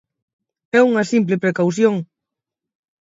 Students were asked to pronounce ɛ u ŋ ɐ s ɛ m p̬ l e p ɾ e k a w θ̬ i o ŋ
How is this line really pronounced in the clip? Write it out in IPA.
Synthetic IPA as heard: ɛ u ŋ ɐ s i m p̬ l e p ɾ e k a w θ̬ j o ŋ